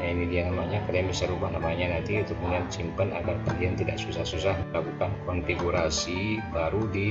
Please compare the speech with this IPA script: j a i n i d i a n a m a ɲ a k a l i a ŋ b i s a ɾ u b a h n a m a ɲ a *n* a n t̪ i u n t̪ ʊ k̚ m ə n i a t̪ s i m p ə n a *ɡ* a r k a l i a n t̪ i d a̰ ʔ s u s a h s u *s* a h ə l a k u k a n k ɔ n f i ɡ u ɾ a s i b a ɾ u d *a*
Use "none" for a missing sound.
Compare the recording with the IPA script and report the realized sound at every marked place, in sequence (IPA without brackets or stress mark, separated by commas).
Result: n, ɡ, s, i